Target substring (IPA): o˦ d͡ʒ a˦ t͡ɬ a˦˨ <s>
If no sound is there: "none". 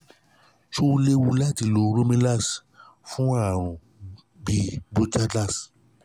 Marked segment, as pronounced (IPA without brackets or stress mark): s